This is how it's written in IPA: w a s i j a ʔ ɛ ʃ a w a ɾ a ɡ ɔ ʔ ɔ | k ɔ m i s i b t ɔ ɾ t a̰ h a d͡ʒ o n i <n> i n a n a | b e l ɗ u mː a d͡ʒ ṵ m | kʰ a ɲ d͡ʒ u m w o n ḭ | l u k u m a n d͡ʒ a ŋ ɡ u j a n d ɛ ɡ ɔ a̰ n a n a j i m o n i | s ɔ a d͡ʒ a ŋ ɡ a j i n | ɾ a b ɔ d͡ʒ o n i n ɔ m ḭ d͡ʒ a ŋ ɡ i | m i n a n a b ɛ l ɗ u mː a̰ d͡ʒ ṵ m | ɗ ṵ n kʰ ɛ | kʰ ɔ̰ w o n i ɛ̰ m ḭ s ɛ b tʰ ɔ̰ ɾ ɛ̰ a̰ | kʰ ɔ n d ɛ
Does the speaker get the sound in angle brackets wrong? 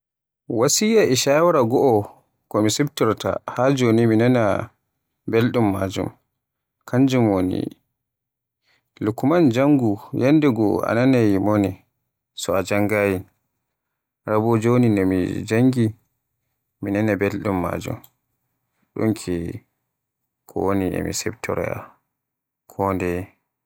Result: yes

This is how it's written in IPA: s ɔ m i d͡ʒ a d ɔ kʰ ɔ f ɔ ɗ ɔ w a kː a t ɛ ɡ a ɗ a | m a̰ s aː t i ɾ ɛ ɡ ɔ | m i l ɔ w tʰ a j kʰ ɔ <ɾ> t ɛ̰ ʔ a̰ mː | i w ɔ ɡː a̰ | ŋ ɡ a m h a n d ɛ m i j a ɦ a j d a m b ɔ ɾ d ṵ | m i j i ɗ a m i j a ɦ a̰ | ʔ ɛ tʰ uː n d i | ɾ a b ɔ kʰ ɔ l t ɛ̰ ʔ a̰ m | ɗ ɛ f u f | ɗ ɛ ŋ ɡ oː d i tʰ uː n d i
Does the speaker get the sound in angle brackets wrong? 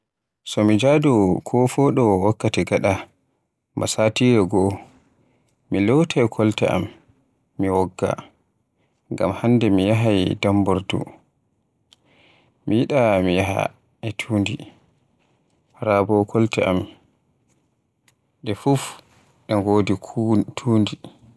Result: yes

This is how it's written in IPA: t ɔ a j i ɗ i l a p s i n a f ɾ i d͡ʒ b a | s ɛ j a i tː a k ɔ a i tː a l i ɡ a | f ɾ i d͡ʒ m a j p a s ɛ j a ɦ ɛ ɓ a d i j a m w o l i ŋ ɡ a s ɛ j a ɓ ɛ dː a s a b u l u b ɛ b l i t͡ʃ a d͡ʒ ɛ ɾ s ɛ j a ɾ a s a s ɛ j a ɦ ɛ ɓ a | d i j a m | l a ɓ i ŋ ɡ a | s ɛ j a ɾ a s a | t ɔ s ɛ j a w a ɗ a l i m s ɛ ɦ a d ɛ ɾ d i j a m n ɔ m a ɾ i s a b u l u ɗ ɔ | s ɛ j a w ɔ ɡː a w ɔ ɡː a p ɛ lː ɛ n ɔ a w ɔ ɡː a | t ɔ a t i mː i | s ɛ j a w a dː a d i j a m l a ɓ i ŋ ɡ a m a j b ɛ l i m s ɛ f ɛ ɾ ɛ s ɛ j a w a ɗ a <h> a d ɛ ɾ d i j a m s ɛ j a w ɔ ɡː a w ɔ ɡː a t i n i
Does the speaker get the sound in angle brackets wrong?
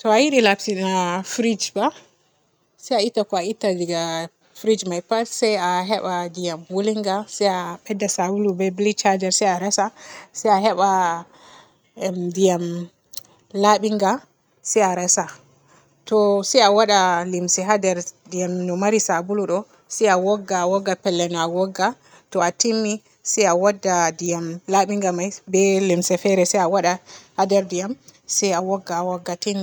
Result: no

